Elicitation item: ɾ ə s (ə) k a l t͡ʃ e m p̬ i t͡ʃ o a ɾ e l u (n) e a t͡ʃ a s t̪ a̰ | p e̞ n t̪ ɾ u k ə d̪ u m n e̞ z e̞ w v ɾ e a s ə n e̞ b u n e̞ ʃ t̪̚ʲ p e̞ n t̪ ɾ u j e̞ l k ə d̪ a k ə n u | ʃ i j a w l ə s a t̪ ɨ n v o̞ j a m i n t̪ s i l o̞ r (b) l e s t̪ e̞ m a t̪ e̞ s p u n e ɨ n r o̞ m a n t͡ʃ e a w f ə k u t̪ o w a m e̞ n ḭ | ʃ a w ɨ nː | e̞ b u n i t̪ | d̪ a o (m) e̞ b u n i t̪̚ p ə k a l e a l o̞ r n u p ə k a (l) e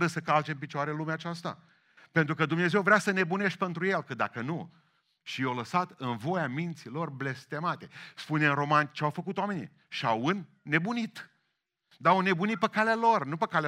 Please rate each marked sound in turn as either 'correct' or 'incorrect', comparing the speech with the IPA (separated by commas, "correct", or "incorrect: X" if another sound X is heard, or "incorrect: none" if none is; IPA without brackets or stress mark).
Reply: correct, incorrect: m, correct, incorrect: n, correct